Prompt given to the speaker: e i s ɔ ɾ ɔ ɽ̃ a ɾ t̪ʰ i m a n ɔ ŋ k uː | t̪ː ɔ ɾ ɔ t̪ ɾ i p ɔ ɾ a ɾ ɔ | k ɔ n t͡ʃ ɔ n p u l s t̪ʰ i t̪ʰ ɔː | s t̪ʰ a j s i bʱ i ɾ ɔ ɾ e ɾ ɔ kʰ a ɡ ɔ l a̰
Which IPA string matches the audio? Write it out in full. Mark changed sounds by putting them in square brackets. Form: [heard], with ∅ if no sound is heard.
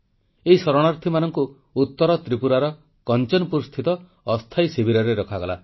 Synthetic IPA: e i s ɔ ɾ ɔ ɽ̃ a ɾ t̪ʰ i m a n ɔ ŋ k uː | t̪ː ɔ ɾ ɔ t̪ ɾ i p [u] ɾ a ɾ ɔ | k ɔ n t͡ʃ ɔ n p u [ɾ] s t̪ʰ i [t̪] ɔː | s t̪ʰ a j s i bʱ i ɾ ɔ ɾ e ɾ ɔ kʰ a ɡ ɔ l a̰